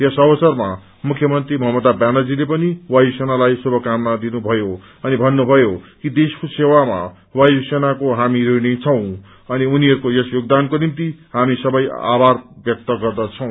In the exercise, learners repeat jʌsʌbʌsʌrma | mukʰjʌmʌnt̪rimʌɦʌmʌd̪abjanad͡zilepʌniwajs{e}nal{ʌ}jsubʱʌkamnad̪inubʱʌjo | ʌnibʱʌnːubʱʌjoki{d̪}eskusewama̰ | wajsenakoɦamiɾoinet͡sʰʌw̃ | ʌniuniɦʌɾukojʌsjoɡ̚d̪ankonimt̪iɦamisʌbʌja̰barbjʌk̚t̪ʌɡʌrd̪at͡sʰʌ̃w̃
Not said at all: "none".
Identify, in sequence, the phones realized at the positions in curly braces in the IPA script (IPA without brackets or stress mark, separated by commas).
e, a, d̪